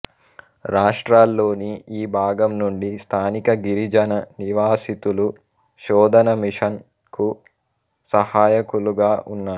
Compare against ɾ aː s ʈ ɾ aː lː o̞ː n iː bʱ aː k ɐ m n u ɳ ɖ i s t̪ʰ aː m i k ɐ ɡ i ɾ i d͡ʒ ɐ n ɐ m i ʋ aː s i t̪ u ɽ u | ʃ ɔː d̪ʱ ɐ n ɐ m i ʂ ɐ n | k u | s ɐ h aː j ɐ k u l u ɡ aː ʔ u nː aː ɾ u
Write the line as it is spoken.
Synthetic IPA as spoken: ɾ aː ʂ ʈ ɾ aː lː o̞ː n iː bʱ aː ɡ ɐ m n u ɳ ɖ i s t̪ʰ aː n i k ɐ ɡ i ɾ i d͡ʒ ɐ n ɐ n i ʋ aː s i t̪ u l u | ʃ ɔː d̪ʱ ɐ n ɐ m i ʂ ɐ n | k u | s ɐ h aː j ɐ k u l u ɡ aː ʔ u nː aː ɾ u

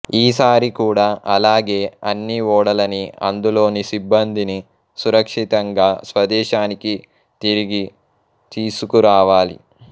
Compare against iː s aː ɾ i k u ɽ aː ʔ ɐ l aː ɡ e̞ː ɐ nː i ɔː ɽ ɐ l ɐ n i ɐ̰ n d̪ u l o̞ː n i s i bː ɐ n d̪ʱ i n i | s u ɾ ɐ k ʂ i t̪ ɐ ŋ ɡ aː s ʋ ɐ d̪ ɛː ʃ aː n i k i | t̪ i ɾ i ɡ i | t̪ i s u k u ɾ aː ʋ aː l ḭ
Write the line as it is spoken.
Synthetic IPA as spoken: iː s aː ɾ i k uː ɽ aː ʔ ɐ l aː ɡ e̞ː ɐ nː i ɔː ɽ ɐ l ɐ n i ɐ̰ n d̪ u l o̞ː n i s i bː ɐ n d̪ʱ i n i | s u ɾ ɐ k ʂ i t̪ ɐ ŋ ɡ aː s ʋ ɐ d̪ ɛː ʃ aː n i k i | t̪ i ɾ i ɡ i | t̪ iː s u k u ɾ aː ʋ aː l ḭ

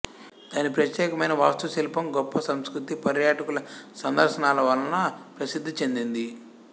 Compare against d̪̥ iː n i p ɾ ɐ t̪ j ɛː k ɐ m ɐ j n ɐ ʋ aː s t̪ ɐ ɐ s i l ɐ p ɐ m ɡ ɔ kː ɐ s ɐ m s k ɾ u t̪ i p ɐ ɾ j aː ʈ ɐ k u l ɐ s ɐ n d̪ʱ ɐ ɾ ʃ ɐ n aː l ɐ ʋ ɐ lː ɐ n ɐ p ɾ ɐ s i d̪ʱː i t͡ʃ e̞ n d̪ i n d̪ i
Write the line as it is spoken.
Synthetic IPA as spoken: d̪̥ aː n i p ɾ ɐ t̪ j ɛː k ɐ m ɐ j n ɐ ʋ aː s t̪ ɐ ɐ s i l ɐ p ɐ m ɡ ɔ pː ɐ s ɐ m s k ɾ u t̪ i p ɐ ɾ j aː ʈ ɐ k u l ɐ s ɐ n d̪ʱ ɐ ɾ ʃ ɐ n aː l ɐ ʋ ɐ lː ɐ n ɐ p ɾ ɐ s i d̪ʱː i t͡ʃ e̞ n d̪ i n d̪ i

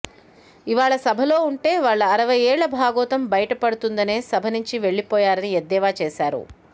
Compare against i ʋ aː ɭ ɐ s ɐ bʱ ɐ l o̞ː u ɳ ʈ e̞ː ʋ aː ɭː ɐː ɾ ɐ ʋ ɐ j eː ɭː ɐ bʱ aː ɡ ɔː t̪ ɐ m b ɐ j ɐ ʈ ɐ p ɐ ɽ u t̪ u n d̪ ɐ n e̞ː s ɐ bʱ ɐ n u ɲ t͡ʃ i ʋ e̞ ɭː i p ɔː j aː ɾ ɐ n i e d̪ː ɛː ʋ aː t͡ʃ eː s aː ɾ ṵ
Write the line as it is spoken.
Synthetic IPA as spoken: i ʋ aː ɭ ɐ s ɐ bʱ ɐ l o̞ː u ɳ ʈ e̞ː ʋ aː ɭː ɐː ɾ ɐ ʋ ɐ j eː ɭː ɐ bʱ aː ɡ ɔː t̪ ɐ m b ɐ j ɐ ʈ ɐ p ɐ ɽ u t̪ u n d̪ ɐ n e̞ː s ɐ bʱ ɐ n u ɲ t͡ʃ i ʋ e̞ ɭː i p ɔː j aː ɾ ɐ n i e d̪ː ɛː ʋ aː t͡ʃ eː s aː ɾ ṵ

